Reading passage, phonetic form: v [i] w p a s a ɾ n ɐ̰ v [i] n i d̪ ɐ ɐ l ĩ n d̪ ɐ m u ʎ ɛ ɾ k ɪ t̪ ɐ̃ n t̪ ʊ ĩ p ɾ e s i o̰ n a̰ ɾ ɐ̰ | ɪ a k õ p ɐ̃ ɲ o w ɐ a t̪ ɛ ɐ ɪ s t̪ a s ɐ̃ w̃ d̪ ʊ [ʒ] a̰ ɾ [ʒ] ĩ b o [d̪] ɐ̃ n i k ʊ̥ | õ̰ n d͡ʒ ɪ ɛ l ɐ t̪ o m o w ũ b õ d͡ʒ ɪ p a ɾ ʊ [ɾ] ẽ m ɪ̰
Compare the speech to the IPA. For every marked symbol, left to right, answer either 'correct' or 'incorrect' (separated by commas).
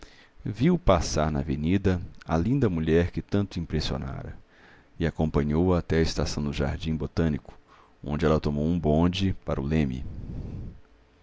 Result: correct, incorrect, correct, incorrect, incorrect, incorrect